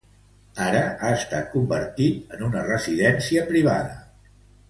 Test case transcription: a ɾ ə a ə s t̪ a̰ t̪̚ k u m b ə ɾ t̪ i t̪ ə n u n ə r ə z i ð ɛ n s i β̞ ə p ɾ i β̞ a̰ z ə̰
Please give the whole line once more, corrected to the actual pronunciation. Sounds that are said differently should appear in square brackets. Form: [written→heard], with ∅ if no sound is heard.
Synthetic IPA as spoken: a ɾ ə a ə s t̪ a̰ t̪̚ k u m b ə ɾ t̪ i t̪ ə n u n ə r ə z i ð ɛ n s i [β̞→∅] ə p ɾ i β̞ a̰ [z→ð] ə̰

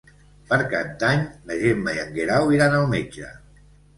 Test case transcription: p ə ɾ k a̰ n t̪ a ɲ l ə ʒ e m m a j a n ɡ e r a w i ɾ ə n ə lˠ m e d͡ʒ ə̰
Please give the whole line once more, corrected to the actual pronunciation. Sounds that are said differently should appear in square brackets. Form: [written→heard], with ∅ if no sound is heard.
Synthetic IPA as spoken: p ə ɾ k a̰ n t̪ a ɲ l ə ʒ e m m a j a [n→ŋ] ɡ e [r→ɾ] a w i ɾ [ə→a] n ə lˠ m e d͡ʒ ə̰

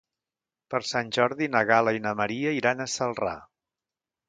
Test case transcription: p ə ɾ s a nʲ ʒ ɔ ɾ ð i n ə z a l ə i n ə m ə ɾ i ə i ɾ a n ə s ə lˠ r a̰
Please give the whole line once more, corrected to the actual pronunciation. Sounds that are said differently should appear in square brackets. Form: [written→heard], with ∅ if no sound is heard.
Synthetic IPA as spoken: p ə ɾ s a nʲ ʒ ɔ ɾ ð i n ə [z→ɣ] a l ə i n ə m ə ɾ i ə i ɾ a n ə s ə lˠ r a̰

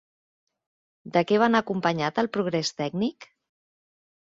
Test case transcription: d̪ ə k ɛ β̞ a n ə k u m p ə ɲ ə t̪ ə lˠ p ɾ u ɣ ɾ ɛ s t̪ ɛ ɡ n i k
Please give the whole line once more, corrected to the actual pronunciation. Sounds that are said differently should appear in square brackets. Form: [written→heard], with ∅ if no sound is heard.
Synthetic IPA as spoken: d̪ ə k ɛ β̞ a n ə k u m p ə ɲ [ə→a] t̪ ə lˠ p ɾ u ɣ ɾ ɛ s t̪ ɛ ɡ n i k

